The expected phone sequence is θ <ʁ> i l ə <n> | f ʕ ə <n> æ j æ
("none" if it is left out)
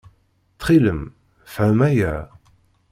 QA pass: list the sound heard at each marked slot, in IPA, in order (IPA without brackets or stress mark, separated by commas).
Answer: χ, m, m